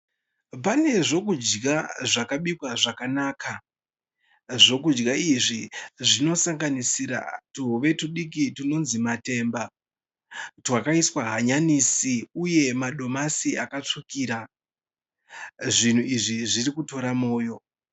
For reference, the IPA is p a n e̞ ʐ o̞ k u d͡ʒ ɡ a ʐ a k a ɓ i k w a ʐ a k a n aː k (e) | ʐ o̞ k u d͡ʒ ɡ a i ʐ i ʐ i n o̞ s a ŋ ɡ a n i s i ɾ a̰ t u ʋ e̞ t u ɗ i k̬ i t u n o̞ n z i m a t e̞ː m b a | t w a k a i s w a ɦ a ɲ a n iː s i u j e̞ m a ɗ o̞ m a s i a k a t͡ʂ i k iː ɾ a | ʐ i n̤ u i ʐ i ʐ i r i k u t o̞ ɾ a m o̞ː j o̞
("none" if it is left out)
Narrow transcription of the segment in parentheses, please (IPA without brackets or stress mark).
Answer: a